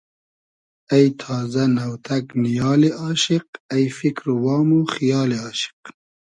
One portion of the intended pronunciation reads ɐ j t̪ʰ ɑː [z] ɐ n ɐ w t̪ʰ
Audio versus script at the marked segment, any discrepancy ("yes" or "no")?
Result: no